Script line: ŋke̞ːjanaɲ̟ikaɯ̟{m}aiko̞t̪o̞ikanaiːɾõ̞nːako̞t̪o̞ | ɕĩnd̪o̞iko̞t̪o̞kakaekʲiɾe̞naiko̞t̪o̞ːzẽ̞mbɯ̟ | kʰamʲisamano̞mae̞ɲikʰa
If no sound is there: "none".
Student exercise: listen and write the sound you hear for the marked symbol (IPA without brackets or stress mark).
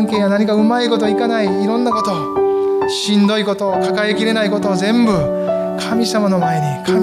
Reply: m